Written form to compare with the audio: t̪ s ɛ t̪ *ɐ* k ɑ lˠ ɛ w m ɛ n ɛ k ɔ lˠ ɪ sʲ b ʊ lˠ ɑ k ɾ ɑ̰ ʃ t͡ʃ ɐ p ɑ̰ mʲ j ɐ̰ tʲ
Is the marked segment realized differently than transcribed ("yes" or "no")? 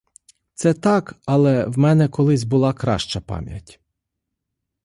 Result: yes